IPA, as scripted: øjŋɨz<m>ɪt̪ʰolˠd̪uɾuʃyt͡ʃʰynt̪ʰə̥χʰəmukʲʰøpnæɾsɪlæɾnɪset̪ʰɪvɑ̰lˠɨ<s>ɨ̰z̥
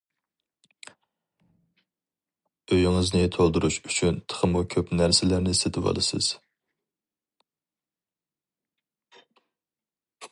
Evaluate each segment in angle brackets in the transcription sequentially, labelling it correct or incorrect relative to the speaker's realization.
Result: incorrect, correct

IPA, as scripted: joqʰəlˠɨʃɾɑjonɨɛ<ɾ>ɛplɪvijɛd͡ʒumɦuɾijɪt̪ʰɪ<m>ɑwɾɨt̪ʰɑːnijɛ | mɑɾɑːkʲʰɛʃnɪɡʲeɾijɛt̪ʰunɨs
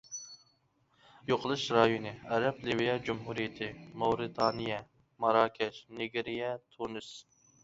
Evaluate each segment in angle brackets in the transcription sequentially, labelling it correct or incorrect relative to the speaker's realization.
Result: correct, correct

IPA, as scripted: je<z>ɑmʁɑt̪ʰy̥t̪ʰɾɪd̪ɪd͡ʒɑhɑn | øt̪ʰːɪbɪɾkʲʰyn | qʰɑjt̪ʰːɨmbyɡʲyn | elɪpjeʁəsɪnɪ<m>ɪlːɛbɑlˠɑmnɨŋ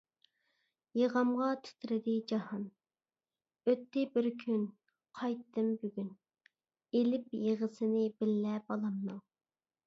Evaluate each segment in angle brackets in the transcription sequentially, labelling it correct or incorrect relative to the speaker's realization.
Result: incorrect, incorrect

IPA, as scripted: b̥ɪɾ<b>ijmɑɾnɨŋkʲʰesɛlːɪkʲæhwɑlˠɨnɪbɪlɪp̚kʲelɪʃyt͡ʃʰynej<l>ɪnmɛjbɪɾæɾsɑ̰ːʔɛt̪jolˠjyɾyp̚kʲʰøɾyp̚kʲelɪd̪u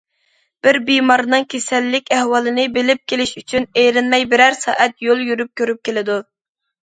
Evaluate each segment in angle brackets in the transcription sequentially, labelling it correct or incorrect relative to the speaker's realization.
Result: correct, incorrect

